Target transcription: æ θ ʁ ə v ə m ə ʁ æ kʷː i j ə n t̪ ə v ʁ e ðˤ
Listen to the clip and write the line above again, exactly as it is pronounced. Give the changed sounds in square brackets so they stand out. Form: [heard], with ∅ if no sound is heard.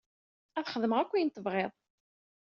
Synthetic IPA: æ θ [χ] ə [ð] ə m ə ʁ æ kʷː i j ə n t̪ ə v ʁ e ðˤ